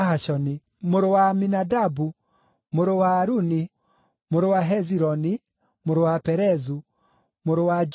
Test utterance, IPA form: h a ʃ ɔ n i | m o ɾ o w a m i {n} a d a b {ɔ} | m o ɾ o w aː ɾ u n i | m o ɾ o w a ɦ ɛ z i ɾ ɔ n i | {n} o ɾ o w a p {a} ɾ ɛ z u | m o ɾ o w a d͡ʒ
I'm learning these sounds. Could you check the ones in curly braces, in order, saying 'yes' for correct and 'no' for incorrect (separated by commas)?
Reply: yes, no, no, no